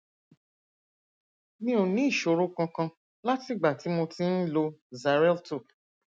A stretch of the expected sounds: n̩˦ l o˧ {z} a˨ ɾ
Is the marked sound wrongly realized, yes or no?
no